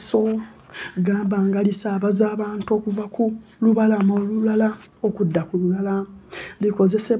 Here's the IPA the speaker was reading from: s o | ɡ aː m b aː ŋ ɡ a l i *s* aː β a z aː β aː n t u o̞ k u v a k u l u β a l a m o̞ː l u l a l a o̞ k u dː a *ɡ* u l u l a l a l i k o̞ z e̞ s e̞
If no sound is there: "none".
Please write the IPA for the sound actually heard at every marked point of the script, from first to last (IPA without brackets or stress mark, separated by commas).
s, k